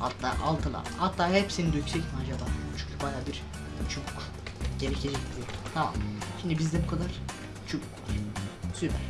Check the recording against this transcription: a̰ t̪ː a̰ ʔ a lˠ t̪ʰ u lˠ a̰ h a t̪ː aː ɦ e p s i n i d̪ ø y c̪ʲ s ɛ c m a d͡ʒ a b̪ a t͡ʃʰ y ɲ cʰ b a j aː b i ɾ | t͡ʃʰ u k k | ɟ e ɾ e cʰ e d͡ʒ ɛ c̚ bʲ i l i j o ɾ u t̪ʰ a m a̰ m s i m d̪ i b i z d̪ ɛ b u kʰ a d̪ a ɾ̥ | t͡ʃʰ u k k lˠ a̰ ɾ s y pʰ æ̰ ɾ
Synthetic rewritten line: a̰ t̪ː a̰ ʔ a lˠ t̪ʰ ɯ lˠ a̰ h a t̪ː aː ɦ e p s i n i d̪ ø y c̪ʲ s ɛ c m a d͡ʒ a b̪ a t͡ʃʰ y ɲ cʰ b a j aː b i ɾ | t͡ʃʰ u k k | ɟ e ɾ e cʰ e d͡ʒ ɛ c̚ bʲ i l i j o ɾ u t̪ʰ a m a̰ m ʃ i m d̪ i b i z d̪ ɛ b u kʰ a d̪ a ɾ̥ | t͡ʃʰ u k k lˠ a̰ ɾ s y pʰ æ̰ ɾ